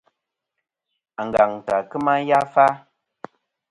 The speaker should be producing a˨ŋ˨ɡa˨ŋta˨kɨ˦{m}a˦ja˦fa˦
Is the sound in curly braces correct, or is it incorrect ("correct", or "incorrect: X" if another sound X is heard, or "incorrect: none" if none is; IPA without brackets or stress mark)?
correct